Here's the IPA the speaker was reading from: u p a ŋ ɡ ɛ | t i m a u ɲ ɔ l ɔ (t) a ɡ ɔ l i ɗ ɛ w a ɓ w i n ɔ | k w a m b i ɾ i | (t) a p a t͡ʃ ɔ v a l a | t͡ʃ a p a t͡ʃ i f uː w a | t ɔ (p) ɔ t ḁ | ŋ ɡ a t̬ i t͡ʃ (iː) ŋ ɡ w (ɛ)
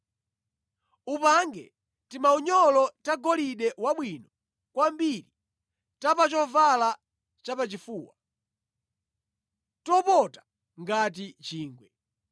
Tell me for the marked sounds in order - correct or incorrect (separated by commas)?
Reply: correct, correct, correct, correct, correct